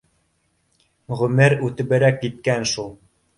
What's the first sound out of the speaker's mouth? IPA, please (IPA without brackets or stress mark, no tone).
ʁ